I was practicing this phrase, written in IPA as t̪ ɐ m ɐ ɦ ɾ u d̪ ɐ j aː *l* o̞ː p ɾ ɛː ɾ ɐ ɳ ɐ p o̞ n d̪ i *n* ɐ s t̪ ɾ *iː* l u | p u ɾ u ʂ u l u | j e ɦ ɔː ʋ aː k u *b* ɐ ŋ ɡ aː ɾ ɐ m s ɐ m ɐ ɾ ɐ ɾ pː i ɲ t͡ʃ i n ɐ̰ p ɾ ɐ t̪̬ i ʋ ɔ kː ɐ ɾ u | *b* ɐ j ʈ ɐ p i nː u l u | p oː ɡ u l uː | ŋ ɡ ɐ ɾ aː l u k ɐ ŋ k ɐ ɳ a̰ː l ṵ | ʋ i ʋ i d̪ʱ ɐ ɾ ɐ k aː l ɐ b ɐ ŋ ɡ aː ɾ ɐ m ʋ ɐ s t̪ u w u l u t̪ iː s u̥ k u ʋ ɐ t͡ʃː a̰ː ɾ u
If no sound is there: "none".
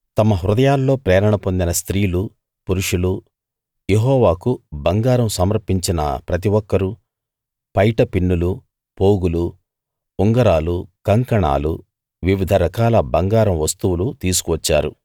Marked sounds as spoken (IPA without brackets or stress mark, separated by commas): lː, n, iː, b, p